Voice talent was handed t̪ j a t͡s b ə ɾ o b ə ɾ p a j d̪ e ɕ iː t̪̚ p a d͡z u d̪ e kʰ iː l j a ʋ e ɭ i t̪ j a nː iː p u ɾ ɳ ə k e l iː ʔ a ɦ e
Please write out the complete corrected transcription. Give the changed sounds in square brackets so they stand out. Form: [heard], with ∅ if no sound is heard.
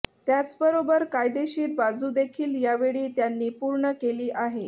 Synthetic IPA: t̪ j a t͡s b ə ɾ o b ə ɾ [k] a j d̪ e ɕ iː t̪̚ [b] a d͡z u d̪ e kʰ iː l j a ʋ e ɭ [iː] t̪ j a nː iː p u ɾ ɳ ə k e l iː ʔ a ɦ e